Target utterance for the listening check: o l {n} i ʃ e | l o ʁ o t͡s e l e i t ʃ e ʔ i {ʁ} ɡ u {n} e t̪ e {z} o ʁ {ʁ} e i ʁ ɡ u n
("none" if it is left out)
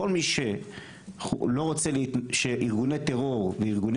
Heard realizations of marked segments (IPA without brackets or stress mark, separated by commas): m, ʁ, n, ʁ, v